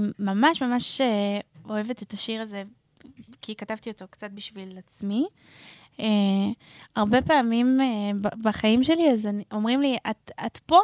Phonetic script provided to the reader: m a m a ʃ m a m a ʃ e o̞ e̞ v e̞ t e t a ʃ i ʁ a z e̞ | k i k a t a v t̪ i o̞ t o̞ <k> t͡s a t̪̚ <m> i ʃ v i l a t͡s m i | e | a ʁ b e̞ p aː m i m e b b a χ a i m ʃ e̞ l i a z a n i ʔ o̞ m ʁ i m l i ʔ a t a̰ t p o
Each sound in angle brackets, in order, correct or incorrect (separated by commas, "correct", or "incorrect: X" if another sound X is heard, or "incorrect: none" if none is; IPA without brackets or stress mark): correct, incorrect: b